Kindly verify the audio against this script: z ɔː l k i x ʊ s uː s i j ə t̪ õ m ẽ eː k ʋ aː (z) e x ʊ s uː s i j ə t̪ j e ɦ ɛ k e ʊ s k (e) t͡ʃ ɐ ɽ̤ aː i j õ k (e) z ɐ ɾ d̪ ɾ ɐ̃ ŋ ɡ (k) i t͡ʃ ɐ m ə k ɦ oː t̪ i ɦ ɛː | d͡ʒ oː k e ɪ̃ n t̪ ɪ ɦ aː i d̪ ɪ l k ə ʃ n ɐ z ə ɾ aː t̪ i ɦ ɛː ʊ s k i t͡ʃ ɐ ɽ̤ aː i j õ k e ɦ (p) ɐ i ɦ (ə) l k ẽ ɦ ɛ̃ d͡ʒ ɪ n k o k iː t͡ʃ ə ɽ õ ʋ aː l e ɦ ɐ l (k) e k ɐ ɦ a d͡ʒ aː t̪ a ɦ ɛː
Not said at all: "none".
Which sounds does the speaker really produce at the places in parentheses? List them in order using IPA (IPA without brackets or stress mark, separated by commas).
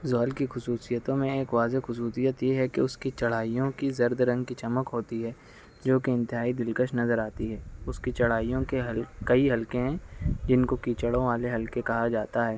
z, i, i, k, k, ɐ, k